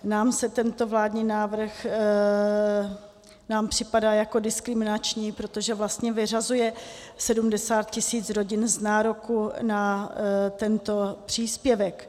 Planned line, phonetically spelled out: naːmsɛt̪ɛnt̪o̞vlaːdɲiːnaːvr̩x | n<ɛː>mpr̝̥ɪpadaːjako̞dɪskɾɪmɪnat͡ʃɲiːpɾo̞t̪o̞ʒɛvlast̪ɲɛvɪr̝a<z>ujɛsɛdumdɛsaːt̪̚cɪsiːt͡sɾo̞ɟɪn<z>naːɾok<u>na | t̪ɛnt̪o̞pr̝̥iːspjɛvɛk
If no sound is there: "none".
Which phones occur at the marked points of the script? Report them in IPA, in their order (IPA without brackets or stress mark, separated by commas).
aː, z, z, u